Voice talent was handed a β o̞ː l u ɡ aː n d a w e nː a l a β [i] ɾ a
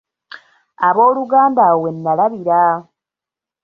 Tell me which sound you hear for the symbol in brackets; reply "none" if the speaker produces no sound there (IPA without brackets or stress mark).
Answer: i